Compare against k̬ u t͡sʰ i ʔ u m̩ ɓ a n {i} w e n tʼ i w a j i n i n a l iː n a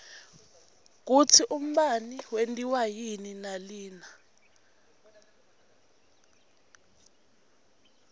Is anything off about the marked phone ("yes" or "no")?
no